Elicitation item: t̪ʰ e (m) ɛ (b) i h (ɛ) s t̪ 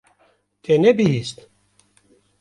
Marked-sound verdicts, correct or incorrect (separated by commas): incorrect, correct, incorrect